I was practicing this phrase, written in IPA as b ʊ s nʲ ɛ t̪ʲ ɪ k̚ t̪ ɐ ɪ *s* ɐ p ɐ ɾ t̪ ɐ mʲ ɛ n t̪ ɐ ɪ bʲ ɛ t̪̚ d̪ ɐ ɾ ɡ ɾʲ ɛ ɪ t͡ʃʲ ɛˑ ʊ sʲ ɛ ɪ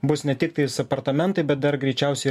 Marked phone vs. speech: correct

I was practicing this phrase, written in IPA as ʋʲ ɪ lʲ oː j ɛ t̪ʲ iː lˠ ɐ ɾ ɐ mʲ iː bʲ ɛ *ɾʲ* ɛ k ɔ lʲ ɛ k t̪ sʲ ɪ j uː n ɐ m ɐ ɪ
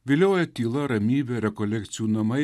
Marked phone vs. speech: correct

